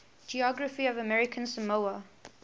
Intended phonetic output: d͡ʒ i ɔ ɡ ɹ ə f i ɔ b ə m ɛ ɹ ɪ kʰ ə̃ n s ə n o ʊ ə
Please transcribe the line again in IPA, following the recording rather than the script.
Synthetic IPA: d͡ʒ i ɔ ɡ ɹ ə f i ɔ v ə m ɛ ɹ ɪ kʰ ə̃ n s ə m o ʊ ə